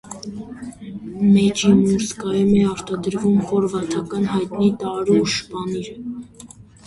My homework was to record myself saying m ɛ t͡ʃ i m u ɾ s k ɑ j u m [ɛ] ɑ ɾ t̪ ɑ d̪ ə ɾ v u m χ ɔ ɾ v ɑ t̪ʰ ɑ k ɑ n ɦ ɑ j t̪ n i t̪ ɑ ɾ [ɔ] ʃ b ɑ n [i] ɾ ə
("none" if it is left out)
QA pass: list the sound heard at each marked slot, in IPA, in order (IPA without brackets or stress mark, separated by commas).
ɛ, u, i